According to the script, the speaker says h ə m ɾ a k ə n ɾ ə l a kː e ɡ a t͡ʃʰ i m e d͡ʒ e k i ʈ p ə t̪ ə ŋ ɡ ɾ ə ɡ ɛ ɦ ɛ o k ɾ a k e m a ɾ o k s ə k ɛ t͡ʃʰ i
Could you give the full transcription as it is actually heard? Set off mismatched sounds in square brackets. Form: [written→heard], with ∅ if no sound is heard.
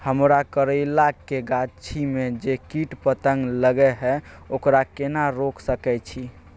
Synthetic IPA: h ə m ɾ a k ə [n→∅] ɾ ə l a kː e ɡ a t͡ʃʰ i m e d͡ʒ e k i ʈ p ə t̪ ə ŋ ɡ [ɾ→l] ə ɡ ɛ ɦ ɛ o k ɾ a k e [m→n] a ɾ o k s ə k ɛ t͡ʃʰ i